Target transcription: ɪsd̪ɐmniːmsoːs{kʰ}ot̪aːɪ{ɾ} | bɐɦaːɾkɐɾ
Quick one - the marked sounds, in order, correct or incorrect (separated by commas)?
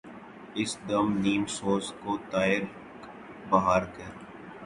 incorrect, correct